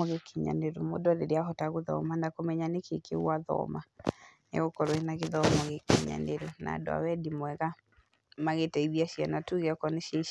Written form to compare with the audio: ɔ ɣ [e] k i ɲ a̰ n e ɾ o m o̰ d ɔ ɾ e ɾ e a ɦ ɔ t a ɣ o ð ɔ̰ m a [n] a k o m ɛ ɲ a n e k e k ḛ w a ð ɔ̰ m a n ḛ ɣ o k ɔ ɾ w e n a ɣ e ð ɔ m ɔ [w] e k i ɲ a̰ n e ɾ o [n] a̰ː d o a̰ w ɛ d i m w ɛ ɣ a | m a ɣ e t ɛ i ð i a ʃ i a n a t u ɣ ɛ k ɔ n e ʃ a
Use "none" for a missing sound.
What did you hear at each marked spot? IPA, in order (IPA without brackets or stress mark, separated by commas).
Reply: e, n, ɣ, n